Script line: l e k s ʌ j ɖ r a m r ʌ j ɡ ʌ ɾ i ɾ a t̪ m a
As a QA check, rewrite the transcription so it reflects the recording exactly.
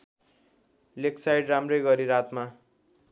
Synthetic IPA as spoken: l e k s a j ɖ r a m r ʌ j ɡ ʌ ɾ i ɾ a t̪ m a